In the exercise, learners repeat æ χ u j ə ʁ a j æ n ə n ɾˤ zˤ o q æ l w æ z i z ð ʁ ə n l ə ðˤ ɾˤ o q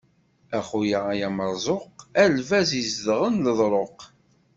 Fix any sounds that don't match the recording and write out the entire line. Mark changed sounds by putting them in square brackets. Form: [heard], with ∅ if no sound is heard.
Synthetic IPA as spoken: æ χ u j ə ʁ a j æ [m] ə [∅] ɾˤ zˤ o q æ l [v] æ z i z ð ʁ ə n l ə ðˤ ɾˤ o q